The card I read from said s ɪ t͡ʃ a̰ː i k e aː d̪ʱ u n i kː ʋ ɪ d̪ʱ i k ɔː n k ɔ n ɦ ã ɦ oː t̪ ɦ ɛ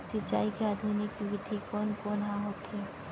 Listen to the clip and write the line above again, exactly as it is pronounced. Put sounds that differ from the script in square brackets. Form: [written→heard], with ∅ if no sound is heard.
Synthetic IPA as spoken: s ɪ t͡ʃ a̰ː i k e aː d̪ʱ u n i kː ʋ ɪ d̪ʱ i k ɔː n k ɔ n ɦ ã ɦ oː t̪ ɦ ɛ